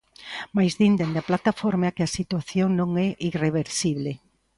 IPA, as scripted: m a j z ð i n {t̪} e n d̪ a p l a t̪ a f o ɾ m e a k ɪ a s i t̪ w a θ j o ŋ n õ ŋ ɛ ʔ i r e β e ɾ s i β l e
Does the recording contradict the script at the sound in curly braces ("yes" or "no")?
yes